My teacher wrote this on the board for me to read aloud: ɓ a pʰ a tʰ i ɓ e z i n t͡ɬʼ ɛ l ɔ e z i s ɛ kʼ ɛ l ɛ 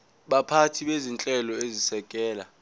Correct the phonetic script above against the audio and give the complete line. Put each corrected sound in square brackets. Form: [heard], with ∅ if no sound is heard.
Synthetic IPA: ɓ a pʰ a tʰ i ɓ e z i n t͡ɬʼ ɛ l ɔ e z i s ɛ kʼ [ɛː] l [a]